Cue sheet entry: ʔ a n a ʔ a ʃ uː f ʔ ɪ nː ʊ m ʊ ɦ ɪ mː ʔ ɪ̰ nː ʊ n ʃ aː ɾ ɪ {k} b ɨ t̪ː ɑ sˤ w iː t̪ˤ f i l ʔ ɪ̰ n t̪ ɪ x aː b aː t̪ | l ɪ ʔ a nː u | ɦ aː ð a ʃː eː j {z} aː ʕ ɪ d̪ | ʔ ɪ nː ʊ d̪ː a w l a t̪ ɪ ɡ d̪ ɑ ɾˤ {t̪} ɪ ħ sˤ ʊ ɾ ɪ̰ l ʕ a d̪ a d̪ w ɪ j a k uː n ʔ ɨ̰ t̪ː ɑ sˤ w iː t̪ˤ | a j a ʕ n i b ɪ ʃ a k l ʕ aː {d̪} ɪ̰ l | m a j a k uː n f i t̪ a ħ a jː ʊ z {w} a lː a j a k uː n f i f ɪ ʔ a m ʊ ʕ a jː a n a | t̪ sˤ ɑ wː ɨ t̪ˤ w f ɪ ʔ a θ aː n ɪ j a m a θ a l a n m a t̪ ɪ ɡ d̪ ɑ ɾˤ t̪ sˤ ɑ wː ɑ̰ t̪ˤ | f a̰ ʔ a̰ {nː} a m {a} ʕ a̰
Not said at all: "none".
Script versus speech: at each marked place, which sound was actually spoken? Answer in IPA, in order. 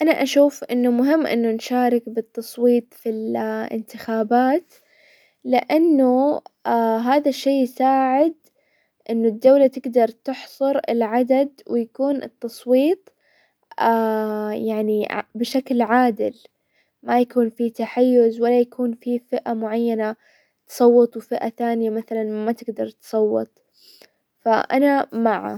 k, s, t̪, d̪, w, n, a

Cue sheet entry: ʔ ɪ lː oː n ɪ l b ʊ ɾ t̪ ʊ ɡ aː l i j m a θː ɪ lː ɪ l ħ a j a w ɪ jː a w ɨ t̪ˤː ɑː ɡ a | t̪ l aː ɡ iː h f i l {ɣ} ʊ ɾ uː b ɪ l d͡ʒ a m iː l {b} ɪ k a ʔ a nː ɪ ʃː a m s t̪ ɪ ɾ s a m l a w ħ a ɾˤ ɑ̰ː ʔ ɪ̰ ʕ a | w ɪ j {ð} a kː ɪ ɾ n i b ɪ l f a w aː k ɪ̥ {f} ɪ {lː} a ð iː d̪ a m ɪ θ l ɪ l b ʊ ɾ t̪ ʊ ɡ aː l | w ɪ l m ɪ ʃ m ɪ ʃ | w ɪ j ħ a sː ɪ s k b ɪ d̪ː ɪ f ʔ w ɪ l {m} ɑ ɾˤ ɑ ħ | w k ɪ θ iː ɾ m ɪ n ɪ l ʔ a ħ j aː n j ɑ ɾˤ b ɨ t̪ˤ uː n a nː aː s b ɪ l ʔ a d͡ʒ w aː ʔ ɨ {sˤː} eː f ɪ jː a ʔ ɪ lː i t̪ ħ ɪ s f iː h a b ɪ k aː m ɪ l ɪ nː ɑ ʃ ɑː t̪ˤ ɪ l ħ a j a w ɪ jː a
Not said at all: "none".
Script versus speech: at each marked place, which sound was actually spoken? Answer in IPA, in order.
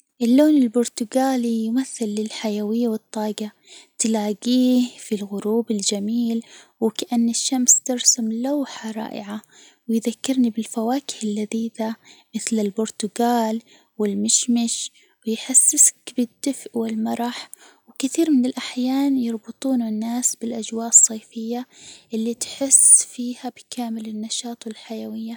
ɣ, w, ð, h, lː, m, sˤː

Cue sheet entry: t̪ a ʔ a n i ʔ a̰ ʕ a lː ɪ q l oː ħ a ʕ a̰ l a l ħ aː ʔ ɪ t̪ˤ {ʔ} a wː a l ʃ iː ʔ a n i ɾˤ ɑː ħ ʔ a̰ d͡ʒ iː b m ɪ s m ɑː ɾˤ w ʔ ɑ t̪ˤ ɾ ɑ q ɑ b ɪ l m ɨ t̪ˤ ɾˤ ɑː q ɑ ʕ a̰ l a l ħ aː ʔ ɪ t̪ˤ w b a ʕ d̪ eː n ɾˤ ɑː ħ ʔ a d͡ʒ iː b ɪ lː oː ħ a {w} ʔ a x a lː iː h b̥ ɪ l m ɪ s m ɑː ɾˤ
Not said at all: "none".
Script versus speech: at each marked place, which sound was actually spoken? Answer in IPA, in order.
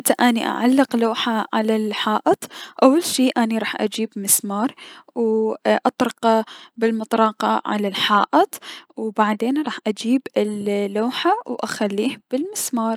ʔ, w

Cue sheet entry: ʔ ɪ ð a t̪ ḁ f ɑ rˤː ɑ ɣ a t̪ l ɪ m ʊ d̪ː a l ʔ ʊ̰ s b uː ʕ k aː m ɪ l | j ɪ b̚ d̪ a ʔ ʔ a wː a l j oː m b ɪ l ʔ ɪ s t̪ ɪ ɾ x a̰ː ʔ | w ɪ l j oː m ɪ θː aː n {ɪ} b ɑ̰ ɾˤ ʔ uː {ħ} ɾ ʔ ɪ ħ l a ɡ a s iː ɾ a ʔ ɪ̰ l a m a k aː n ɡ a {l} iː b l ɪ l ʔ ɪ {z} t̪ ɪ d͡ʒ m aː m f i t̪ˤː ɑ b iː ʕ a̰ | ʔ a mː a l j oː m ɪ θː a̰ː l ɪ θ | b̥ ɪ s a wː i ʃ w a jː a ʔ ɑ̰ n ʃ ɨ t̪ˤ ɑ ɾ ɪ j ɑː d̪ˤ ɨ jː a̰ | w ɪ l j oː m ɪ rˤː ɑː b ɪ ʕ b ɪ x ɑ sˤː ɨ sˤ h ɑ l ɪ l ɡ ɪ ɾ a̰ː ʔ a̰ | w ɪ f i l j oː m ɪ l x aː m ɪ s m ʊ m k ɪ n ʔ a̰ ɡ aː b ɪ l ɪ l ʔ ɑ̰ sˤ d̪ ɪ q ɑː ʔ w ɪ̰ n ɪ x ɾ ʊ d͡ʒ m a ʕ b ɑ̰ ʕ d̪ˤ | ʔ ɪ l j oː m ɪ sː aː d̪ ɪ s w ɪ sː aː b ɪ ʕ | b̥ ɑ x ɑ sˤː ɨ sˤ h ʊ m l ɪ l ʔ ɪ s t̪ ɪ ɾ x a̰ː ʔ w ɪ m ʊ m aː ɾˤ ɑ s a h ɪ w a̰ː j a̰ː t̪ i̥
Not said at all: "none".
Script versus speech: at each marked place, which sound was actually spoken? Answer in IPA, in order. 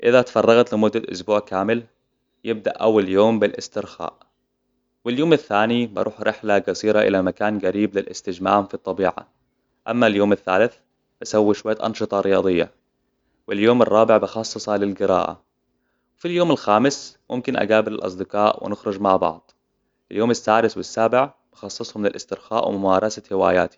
i, ħ, ɾ, s

